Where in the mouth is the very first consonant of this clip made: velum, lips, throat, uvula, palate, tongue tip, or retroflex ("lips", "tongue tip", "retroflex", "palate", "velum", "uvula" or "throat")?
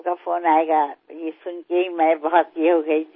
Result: velum